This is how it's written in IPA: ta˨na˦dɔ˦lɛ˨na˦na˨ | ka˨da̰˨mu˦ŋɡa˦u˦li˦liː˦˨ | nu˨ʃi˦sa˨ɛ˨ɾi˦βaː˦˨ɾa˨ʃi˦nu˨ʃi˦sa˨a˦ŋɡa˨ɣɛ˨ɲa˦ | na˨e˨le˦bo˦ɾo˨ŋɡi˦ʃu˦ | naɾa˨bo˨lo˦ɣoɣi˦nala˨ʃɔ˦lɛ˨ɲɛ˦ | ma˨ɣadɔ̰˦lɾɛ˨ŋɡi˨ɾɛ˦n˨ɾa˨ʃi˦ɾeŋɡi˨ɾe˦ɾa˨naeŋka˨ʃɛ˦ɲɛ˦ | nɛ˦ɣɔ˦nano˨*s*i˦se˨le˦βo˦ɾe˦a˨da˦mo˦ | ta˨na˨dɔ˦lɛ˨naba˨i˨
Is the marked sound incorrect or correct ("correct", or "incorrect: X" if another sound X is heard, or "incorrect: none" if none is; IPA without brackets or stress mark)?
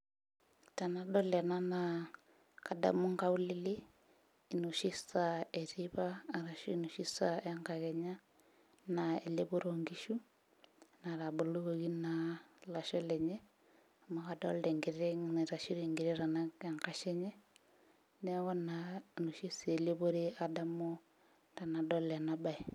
incorrect: ʃ